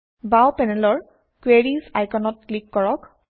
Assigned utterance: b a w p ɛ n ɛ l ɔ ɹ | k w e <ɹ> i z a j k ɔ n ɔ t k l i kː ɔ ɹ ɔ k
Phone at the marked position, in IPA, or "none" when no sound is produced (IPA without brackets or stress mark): ɹ